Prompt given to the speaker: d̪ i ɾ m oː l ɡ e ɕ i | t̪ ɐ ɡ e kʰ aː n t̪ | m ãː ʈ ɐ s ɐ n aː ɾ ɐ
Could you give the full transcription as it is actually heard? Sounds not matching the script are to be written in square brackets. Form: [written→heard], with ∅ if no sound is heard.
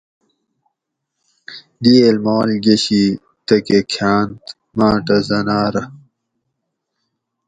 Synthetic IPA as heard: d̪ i [ɾ→l] m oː l ɡ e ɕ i | t̪ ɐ [ɡ→k] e kʰ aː n t̪ | m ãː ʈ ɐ [s→z] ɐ n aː ɾ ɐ